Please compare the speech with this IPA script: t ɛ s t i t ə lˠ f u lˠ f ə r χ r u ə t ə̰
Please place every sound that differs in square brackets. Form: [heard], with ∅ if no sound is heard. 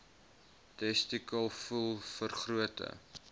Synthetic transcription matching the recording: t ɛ s t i [k] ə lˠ f u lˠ f ə r χ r u ə t ə̰